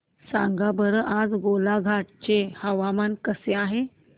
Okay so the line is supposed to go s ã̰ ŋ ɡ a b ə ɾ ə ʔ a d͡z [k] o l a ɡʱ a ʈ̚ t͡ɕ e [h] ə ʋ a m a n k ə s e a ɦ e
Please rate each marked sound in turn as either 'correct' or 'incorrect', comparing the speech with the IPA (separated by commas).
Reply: incorrect, correct